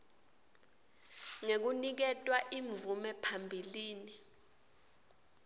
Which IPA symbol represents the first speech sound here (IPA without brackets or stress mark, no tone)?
ŋ